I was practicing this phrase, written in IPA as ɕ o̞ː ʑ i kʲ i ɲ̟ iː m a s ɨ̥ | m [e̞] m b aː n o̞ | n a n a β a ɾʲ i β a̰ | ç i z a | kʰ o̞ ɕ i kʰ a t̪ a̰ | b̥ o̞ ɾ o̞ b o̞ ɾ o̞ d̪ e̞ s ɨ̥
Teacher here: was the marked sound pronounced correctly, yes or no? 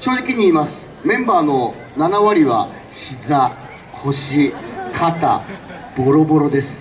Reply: no